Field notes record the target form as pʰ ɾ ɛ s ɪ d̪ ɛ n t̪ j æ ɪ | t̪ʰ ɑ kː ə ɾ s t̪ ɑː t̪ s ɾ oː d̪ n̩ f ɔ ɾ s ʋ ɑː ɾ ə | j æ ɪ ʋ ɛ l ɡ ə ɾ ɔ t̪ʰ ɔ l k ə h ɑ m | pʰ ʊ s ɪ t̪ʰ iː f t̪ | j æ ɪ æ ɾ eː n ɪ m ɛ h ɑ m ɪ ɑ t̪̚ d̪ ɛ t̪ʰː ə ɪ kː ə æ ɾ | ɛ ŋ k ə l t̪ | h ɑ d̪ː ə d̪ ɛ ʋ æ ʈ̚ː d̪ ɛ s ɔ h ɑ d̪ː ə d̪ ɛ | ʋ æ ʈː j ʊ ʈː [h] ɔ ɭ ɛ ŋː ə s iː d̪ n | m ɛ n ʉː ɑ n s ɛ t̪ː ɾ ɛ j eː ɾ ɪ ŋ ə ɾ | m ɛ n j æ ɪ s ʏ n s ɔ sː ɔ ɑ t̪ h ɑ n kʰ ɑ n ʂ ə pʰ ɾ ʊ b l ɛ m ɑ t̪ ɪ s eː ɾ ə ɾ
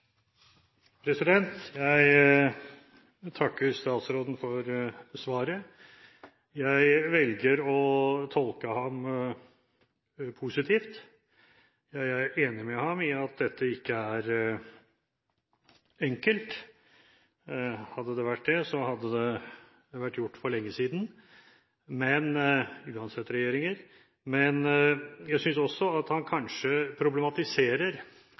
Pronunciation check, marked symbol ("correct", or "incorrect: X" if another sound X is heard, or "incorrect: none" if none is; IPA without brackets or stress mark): incorrect: f